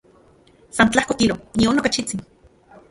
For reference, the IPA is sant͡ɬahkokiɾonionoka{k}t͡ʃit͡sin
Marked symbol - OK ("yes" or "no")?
no